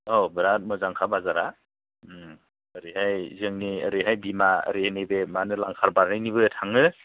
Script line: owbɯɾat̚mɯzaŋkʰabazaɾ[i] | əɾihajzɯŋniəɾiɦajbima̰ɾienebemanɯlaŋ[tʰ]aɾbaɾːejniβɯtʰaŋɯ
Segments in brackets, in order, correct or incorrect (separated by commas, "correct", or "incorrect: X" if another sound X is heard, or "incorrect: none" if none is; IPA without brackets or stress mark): incorrect: a, incorrect: kʰ